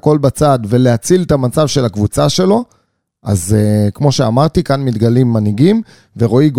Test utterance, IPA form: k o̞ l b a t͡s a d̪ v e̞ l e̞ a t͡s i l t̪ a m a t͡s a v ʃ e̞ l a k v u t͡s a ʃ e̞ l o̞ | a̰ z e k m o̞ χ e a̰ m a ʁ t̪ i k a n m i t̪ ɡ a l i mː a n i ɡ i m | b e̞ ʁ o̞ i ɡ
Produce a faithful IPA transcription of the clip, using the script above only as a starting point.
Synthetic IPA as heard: k o̞ l b a t͡s a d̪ v e̞ l e̞ a t͡s i l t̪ a m a t͡s a v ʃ e̞ l a k v u t͡s a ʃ e̞ l o̞ | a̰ z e k m o̞ ʃ e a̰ m a ʁ t̪ i k a n m i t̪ ɡ a l i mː a n i ɡ i m | v e̞ ʁ o̞ i ɡ